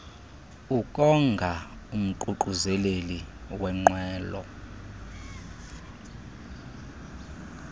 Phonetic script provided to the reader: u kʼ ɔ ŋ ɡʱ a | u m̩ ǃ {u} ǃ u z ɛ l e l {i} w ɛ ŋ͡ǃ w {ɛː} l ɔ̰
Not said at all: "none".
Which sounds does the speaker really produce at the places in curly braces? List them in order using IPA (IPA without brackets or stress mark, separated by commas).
u, i, ɛː